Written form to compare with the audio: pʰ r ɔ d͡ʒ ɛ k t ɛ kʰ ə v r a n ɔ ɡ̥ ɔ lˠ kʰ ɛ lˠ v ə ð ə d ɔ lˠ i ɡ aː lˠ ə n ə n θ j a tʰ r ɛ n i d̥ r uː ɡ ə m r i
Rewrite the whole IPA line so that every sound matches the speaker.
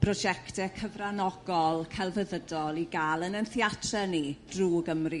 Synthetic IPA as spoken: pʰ r ɔ d͡ʒ ɛ k t ɛ kʰ ə v r a n ɔ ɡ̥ ɔ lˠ kʰ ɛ lˠ v ə ð ə d ɔ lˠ i ɡ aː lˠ ə n ə n θ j a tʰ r ɛ n i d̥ r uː ɡ ə m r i